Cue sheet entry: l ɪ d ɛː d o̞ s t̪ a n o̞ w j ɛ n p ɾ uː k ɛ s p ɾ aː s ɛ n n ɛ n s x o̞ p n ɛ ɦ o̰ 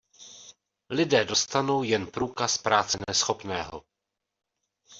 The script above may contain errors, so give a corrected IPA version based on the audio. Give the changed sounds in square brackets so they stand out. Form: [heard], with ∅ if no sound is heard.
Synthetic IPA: l ɪ d ɛː d o̞ s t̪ a n o̞ w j ɛ n p ɾ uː k [a] s p ɾ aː [t͡s] ɛ n n ɛ [∅] s x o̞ p n [ɛː] ɦ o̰